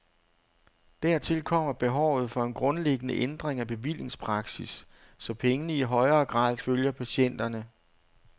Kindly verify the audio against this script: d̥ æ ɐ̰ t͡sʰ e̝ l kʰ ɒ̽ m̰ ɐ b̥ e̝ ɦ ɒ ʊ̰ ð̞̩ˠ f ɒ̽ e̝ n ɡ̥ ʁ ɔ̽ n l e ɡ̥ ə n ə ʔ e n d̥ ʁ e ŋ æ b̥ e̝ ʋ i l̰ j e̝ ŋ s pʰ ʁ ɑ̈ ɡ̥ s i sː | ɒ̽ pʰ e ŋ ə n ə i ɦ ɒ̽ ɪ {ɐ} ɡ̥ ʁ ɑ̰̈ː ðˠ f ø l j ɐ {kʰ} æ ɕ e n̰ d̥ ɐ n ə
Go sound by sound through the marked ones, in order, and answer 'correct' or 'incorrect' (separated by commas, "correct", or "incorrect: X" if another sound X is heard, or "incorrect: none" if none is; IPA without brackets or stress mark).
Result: incorrect: ɐː, incorrect: pʰ